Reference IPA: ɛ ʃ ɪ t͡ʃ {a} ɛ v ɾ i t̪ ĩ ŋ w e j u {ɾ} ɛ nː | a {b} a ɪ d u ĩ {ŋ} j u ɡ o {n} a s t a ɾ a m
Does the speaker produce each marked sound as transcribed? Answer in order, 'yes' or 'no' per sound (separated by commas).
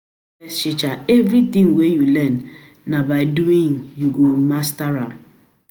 yes, no, yes, yes, no